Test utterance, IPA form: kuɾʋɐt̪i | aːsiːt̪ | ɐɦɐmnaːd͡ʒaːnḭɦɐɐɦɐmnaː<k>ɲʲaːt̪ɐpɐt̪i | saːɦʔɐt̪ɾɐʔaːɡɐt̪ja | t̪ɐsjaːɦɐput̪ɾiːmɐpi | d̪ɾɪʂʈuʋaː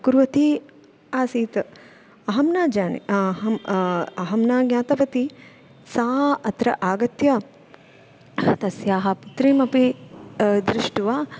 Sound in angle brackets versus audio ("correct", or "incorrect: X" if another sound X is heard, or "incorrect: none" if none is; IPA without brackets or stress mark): incorrect: ɡ